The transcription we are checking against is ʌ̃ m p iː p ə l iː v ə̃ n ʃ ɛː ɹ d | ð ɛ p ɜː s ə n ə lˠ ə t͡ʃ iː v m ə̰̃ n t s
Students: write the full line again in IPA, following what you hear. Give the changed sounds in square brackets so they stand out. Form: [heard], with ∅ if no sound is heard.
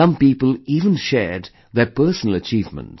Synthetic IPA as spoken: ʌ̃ m p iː p ə l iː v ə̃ n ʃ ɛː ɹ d | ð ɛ p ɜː s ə n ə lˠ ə t͡ʃ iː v m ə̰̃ n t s